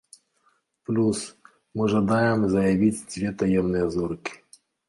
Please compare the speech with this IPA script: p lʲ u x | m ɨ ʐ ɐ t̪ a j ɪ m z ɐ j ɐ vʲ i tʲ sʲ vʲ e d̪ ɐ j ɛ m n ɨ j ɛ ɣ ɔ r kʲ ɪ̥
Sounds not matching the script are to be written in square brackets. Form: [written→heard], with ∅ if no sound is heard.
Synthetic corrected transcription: p lʲ u [x→s] | m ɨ ʐ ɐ [t̪→d̪] a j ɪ m z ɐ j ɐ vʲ i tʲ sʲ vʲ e [d̪→t̪] ɐ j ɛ m n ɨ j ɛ [ɣ→z] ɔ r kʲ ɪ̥

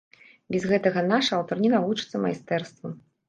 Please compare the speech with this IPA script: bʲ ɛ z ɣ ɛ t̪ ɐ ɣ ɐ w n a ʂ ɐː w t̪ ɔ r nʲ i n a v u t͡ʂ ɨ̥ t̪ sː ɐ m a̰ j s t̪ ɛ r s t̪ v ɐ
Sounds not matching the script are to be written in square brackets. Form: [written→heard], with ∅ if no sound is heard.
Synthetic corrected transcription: bʲ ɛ z ɣ ɛ t̪ ɐ ɣ ɐ [w→∅] n a ʂ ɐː w t̪ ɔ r nʲ i n a v u t͡ʂ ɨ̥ t̪ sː ɐ m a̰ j s t̪ ɛ r s t̪ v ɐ

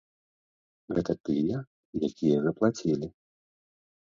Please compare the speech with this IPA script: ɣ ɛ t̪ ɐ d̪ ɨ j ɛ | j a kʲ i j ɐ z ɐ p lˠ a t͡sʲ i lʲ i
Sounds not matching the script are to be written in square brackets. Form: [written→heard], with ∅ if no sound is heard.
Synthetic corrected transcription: ɣ ɛ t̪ ɐ [d̪→t̪] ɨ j ɛ | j a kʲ i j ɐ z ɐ p lˠ a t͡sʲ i lʲ i

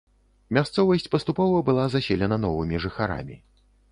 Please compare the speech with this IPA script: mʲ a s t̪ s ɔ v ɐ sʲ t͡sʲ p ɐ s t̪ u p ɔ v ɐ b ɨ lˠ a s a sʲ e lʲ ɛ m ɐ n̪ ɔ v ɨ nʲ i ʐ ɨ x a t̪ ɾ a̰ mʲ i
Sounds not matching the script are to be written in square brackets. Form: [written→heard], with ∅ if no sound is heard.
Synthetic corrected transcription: mʲ a s t̪ s ɔ v ɐ sʲ t͡sʲ p ɐ s t̪ u p ɔ v ɐ b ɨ lˠ a [s→z] a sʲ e lʲ ɛ [m→n] ɐ n̪ ɔ v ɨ [nʲ→mʲ] i ʐ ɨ x a [t̪→∅] ɾ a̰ mʲ i

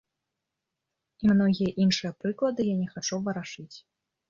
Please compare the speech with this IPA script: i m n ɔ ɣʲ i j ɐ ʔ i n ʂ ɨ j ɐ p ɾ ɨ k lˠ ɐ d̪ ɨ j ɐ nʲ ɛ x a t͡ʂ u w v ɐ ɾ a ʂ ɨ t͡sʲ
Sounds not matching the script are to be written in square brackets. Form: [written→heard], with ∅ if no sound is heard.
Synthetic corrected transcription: i m n ɔ ɣʲ i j ɐ ʔ i n ʂ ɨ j ɐ p ɾ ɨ k lˠ ɐ d̪ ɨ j [ɐ→a] nʲ ɛ x a t͡ʂ u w v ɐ ɾ a ʂ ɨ t͡sʲ

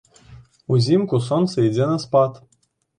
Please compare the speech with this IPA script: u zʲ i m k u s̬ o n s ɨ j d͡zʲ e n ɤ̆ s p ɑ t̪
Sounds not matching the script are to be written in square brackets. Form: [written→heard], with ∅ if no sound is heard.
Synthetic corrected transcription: u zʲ i m k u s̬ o n s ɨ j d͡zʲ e n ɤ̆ s p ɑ t̪

